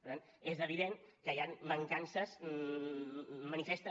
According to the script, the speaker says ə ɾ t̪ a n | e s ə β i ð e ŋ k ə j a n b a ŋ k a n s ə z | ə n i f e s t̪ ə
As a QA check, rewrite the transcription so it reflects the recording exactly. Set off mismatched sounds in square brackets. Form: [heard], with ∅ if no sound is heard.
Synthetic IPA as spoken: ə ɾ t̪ a n | e [z] ə β i ð e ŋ k ə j a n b [ə] ŋ k a n s ə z | ə n i f e s t̪ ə